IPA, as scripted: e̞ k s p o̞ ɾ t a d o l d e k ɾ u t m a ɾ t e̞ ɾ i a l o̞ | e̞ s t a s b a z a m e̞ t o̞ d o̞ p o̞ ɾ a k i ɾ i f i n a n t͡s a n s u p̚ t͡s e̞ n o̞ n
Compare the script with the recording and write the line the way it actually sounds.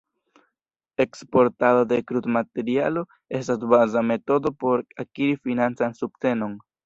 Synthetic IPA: e̞ k s p o̞ ɾ t a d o d e k ɾ u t m a t e̞ ɾ i a l o̞ | e̞ s t a s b a z a m e̞ t o̞ d o̞ p o̞ ɾ a k i ɾ i f i n a n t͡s a n s u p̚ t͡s e̞ n o̞ n